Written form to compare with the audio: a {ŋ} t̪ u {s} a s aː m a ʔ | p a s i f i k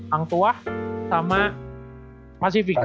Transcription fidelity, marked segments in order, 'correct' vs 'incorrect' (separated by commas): correct, incorrect